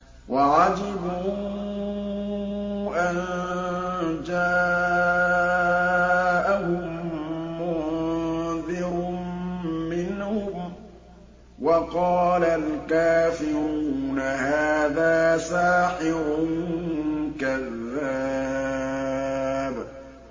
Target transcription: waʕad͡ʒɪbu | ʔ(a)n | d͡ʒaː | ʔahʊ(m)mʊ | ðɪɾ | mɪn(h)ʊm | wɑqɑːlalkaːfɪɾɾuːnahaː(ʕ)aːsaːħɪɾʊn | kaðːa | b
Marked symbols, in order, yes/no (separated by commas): yes, yes, yes, no